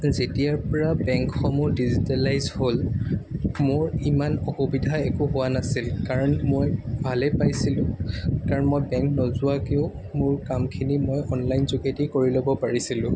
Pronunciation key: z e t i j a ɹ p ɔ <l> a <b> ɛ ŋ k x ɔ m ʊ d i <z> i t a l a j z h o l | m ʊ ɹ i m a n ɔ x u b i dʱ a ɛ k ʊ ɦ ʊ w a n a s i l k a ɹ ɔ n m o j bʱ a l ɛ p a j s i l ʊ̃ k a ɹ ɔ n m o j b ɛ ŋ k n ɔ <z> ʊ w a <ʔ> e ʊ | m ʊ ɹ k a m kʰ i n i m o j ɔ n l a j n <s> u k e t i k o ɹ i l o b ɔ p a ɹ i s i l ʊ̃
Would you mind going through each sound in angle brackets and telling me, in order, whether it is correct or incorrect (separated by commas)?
incorrect, correct, correct, correct, incorrect, incorrect